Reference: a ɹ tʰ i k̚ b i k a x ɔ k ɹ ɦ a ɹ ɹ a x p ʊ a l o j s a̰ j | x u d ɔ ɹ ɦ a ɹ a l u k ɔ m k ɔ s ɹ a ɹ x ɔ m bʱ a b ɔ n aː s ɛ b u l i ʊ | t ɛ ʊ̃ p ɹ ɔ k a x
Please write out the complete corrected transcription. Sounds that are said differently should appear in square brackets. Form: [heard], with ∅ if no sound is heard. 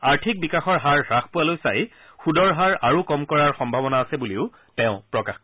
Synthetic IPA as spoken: a ɹ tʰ i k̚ b i k a x ɔ [∅] ɹ ɦ a ɹ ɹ a x p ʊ a l o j s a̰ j | x u d ɔ ɹ ɦ a ɹ a [ɹ] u k ɔ m k ɔ [∅] ɹ a ɹ x ɔ m bʱ a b ɔ n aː s ɛ b u l i ʊ | t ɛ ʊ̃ p ɹ ɔ k a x

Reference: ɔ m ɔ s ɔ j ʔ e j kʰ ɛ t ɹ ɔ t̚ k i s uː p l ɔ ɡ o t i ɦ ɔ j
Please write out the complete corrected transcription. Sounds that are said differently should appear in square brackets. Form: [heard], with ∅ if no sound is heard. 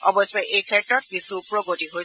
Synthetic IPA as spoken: ɔ [b] ɔ s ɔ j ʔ e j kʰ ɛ t ɹ ɔ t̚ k i s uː p [ɹ] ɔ ɡ o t i ɦ [o] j

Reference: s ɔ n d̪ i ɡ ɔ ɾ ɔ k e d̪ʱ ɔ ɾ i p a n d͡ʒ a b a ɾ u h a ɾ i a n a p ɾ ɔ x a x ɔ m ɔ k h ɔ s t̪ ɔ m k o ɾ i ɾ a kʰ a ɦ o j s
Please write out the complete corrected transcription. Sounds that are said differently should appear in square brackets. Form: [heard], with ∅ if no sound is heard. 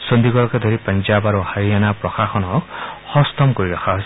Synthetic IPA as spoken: s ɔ n d̪ i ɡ ɔ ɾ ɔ k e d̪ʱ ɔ ɾ i p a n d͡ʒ a b a ɾ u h a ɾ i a n a p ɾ ɔ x a x ɔ [n] ɔ k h ɔ s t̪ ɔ m k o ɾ i ɾ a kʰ a ɦ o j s

